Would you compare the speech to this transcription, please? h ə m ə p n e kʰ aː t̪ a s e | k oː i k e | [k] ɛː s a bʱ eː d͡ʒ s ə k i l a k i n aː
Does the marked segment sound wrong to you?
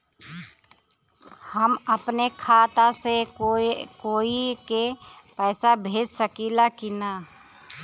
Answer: yes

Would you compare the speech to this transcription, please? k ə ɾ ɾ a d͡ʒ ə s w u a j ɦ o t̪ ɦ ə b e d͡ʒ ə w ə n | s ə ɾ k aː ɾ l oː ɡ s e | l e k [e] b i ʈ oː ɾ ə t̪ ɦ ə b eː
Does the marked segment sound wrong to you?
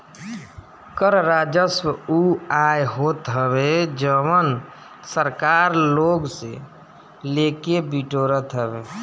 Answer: no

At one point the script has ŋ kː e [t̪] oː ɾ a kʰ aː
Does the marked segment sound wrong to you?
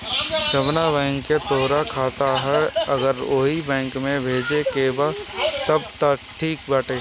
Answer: no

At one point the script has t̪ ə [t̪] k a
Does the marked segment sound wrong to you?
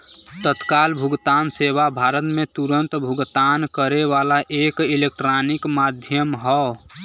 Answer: no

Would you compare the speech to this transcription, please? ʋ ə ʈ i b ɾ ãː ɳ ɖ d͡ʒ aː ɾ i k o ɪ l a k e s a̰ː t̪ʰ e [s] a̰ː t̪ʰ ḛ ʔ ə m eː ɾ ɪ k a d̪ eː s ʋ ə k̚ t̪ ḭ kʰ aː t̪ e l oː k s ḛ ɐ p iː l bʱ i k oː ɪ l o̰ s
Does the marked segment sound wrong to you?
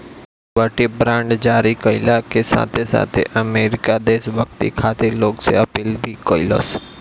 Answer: no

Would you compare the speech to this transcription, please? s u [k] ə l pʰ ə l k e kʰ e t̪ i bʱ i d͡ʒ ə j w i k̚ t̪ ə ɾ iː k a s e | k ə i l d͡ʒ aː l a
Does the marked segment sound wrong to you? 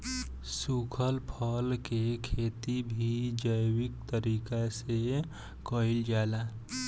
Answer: yes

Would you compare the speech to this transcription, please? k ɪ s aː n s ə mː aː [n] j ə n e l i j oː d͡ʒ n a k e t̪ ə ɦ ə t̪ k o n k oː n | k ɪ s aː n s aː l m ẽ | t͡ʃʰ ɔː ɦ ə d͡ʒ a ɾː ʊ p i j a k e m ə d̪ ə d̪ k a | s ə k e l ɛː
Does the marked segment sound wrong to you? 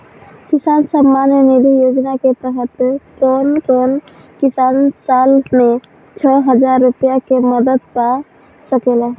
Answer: no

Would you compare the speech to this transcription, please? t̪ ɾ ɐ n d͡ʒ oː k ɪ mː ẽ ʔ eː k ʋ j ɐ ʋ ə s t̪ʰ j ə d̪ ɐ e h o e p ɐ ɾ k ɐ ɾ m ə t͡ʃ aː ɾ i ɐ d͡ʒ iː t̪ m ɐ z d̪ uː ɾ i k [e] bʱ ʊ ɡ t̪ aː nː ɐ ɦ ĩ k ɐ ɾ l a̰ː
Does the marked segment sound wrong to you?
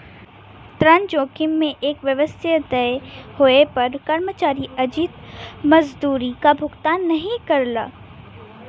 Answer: yes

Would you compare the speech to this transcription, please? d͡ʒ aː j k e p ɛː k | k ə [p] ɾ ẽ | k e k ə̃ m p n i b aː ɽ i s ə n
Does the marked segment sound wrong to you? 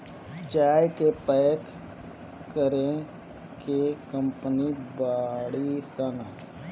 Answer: yes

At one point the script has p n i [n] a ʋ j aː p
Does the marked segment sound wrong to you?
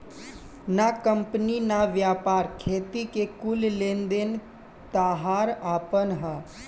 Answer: no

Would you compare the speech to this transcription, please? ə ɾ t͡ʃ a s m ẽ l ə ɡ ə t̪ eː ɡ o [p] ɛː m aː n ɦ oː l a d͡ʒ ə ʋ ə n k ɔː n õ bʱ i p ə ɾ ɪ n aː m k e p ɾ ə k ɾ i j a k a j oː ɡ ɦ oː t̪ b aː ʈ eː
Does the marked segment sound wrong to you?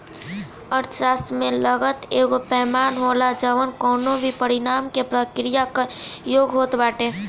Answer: no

